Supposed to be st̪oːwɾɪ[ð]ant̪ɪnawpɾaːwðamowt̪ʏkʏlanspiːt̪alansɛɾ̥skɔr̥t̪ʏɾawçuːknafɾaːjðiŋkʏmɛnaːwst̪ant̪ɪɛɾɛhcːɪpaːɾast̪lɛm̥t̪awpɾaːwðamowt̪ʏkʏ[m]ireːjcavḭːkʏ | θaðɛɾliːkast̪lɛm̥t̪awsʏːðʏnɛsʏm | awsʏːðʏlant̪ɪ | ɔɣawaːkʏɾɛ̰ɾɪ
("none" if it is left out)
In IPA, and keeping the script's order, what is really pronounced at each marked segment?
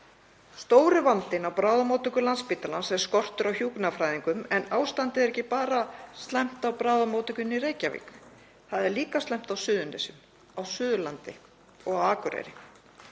v, n

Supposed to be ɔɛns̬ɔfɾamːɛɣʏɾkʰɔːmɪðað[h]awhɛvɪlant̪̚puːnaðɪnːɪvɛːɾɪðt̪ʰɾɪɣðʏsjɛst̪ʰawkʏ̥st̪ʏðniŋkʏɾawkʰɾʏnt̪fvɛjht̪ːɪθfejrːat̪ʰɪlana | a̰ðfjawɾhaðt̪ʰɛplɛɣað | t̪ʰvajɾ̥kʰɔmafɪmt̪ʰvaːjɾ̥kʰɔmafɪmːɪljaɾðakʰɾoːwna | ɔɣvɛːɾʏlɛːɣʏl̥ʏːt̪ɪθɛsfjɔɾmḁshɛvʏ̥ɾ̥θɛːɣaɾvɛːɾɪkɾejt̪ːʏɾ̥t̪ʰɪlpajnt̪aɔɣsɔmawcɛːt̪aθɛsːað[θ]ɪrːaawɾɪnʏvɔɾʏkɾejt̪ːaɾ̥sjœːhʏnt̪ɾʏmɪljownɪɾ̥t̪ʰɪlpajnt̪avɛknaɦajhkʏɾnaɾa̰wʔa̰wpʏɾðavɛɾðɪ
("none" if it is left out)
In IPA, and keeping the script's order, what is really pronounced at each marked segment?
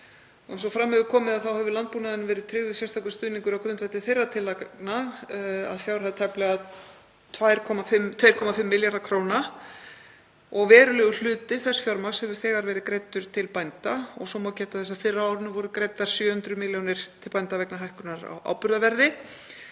θ, f

